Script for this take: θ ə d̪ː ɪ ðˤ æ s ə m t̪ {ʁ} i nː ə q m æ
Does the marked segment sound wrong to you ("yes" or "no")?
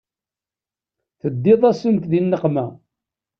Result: yes